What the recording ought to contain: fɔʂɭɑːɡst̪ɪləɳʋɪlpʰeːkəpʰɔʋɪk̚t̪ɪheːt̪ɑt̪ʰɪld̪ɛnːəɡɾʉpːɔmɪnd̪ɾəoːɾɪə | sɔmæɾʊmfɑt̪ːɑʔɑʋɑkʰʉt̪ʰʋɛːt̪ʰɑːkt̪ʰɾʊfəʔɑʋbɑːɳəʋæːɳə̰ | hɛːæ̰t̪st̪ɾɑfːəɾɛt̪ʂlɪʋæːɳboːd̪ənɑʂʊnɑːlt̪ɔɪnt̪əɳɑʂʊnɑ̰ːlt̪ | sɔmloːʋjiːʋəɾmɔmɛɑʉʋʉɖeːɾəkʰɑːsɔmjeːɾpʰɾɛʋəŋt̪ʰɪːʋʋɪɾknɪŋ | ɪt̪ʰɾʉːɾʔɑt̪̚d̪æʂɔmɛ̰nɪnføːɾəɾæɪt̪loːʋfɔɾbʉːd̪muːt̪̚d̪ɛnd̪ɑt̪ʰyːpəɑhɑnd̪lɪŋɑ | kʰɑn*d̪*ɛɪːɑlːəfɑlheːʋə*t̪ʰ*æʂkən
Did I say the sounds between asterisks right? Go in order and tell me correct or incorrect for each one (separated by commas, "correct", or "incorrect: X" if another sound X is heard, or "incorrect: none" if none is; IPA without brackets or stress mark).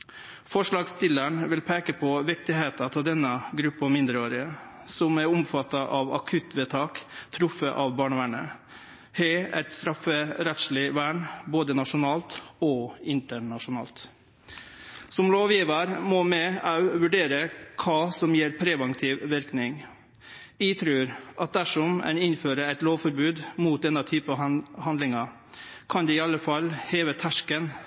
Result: correct, correct